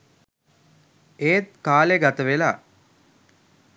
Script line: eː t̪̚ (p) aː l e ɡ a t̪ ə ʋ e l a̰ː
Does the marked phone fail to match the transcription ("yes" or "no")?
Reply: yes